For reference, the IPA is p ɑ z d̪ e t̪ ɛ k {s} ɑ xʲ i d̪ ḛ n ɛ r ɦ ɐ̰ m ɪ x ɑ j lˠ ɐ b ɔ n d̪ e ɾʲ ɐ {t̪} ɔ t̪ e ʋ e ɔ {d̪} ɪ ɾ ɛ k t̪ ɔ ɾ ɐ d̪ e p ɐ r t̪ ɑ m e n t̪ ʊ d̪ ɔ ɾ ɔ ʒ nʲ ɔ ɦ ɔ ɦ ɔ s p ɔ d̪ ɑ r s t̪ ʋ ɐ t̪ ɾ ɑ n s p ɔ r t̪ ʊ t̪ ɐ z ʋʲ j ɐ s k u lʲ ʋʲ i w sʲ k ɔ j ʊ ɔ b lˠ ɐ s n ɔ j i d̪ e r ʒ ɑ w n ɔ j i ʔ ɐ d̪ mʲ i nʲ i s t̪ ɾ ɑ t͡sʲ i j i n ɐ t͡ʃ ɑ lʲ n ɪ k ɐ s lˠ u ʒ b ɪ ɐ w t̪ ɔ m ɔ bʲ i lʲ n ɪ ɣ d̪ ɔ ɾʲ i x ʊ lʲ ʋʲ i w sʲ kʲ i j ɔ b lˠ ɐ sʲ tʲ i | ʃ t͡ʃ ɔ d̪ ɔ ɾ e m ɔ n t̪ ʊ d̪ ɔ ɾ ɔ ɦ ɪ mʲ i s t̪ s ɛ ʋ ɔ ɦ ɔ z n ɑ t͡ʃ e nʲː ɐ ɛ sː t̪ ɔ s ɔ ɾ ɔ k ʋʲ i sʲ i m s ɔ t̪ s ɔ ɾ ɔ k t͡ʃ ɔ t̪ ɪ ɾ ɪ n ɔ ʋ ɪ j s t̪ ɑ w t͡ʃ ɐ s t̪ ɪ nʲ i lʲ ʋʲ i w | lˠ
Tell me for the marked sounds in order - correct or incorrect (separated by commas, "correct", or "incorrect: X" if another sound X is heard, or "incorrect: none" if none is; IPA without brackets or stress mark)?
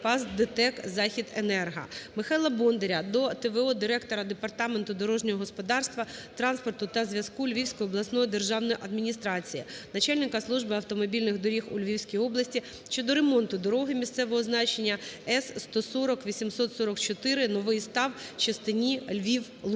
incorrect: z, incorrect: d̪, correct